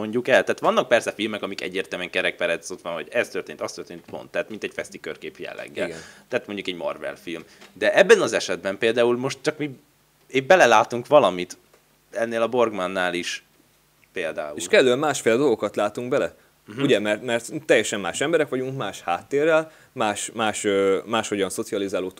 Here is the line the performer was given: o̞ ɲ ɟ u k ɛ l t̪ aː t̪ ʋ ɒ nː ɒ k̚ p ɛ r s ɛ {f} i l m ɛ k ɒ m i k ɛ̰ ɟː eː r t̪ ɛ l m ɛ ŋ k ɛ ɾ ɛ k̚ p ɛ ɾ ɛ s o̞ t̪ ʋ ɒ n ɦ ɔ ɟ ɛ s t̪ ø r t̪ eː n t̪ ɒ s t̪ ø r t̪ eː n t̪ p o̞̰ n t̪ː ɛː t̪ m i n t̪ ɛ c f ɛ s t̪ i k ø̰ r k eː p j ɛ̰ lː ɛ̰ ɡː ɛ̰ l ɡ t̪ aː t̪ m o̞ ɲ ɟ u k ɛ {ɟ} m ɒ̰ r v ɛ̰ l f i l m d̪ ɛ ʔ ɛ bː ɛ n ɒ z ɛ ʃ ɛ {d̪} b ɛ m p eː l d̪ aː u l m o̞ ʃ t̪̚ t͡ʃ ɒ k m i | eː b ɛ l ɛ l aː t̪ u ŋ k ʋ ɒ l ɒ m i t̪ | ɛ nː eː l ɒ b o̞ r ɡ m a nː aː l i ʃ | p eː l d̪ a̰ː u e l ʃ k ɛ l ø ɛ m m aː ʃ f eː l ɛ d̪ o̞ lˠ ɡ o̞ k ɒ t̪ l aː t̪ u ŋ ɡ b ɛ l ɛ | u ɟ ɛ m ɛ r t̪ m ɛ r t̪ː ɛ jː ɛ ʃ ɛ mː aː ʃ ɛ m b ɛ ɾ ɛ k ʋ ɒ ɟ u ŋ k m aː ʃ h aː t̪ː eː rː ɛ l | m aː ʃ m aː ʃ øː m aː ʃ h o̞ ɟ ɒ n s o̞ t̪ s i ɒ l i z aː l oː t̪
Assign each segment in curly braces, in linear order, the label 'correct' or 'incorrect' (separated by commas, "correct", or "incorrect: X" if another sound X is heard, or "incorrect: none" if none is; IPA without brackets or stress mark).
correct, correct, correct